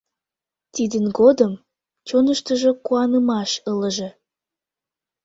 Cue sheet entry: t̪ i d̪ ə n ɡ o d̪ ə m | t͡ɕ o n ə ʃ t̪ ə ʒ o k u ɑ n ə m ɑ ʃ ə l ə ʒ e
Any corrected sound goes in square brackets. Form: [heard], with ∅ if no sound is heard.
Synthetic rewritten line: t̪ i d̪ ə n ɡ o d̪ ə m | t͡ɕ o n ə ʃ t̪ ə ʒ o k u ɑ n ə m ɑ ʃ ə l ə ʒ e